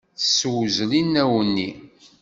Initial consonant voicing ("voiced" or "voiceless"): voiceless